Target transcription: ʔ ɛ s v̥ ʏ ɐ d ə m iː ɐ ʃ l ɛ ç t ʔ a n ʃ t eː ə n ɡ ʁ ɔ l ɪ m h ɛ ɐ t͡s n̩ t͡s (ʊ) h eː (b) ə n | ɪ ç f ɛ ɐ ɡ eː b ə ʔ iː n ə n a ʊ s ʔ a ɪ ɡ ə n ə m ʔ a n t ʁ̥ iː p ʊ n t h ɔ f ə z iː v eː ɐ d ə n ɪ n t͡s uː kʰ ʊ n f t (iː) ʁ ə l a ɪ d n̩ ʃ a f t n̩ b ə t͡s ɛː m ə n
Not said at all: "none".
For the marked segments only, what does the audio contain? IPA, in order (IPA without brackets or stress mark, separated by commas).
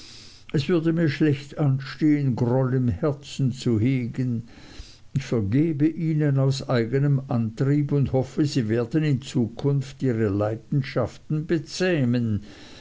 u, ɡ, iː